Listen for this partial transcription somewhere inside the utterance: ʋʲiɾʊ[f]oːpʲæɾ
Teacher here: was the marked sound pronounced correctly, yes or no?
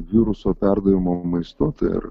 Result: no